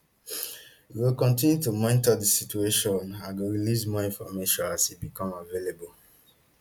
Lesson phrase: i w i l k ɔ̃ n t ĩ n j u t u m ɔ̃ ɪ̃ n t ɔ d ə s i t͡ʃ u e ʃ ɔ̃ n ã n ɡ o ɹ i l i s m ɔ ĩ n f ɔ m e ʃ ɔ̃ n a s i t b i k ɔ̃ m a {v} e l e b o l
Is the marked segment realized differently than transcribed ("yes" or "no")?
no